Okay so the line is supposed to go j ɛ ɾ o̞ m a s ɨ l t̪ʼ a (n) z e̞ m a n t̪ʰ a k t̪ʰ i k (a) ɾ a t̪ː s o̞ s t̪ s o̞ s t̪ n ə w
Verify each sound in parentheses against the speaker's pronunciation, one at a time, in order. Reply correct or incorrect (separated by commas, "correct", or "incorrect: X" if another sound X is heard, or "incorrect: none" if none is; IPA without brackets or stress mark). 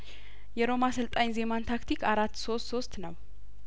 incorrect: ɲ, correct